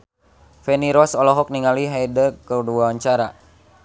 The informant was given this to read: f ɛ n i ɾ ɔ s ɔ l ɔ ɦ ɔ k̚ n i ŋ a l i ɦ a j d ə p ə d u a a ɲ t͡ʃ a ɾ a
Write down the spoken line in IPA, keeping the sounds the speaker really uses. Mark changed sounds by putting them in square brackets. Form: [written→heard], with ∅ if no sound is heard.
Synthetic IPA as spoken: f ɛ n i ɾ ɔ s ɔ l ɔ ɦ ɔ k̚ n i ŋ a l i ɦ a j d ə [p→k] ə d u a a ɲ t͡ʃ a ɾ a